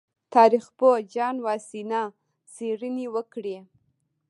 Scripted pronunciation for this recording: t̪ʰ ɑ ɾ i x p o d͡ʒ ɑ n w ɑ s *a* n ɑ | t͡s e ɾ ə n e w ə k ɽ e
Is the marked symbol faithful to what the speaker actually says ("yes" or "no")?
no